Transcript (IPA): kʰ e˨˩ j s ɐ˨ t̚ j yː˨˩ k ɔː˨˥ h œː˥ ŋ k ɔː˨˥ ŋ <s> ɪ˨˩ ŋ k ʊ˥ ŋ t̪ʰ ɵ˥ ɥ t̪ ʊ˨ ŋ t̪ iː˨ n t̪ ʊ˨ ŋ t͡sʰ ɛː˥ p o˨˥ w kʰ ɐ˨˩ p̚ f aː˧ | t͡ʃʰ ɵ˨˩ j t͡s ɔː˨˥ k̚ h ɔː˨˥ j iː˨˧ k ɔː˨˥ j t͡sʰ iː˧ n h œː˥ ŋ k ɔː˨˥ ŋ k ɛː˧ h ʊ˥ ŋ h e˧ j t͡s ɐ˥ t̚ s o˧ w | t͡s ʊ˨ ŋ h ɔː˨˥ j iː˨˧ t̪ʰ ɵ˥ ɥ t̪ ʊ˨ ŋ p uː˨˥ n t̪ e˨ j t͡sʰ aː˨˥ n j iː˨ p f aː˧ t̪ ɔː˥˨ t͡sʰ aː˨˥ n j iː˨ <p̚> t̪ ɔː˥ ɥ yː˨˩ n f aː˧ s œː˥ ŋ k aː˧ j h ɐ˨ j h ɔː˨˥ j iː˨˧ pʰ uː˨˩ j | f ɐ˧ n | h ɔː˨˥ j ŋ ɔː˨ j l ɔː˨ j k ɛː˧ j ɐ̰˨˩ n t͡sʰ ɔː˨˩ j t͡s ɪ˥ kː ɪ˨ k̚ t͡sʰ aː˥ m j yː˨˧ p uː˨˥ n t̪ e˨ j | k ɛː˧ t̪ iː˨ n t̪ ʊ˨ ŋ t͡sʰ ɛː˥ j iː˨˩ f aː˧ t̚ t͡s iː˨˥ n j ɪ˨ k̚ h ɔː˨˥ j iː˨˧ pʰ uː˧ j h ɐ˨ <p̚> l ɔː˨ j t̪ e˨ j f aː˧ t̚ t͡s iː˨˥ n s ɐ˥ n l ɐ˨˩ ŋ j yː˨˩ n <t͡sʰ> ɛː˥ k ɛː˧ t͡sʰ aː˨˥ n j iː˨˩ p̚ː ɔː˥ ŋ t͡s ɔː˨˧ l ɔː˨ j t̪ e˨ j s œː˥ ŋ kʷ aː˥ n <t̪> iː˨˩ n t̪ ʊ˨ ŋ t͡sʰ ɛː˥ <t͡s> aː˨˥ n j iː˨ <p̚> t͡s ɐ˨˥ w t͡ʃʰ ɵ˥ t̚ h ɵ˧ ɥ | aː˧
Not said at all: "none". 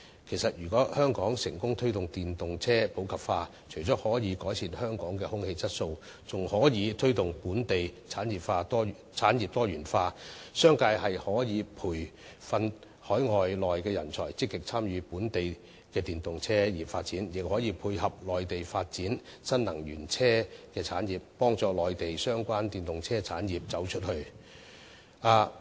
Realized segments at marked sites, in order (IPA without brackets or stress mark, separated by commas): s, p̚, p̚, t͡sʰ, t̪, t͡sʰ, p̚